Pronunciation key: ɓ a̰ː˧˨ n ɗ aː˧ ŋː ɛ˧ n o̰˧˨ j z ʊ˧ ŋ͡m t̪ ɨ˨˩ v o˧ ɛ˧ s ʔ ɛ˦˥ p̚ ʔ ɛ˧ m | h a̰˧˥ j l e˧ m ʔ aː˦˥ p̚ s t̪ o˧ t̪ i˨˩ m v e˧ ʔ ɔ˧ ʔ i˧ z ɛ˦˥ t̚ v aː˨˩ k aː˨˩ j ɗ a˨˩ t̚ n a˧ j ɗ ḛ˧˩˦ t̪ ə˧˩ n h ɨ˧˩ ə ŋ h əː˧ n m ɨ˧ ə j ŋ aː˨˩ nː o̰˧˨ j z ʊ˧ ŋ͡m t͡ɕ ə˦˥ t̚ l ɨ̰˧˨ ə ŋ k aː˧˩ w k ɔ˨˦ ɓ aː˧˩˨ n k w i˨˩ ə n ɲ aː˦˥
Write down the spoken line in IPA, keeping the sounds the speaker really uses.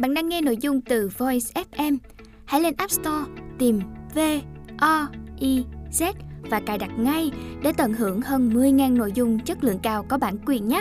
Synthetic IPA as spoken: ɓ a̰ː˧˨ n ɗ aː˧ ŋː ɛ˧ n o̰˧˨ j z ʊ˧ ŋ͡m t̪ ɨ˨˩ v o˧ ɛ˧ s ʔ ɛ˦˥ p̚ ʔ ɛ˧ m | h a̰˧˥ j l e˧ n ʔ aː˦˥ p̚ s t̪ ɔ˧ t̪ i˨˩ m v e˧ ʔ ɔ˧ ʔ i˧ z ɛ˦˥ t̚ v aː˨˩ k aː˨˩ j ɗ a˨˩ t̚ ŋ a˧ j ɗ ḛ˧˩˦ t̪ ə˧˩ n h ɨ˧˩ ə ŋ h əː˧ n m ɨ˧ ə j ŋ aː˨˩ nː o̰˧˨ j z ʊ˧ ŋ͡m t͡ɕ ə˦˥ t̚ l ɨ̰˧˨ ə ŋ k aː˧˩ w k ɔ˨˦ ɓ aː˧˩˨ n k w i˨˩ ə n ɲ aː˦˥